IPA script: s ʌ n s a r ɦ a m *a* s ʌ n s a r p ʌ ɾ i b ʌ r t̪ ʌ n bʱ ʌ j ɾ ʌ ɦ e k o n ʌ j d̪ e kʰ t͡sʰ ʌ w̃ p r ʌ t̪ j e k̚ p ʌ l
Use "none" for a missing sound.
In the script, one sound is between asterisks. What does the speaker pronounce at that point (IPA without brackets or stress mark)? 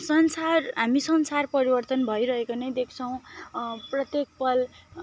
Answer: i